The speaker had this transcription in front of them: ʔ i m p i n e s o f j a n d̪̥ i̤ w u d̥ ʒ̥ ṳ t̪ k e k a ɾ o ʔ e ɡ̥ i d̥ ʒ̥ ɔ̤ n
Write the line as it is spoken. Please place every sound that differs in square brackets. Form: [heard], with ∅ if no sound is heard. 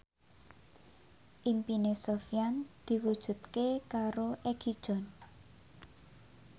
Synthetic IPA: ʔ i m p i n e s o f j a n d̪̥ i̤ w u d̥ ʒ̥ ṳ t̪ k e k a ɾ o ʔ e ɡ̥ i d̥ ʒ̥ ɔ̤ n